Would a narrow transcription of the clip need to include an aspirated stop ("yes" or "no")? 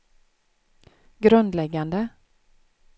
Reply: no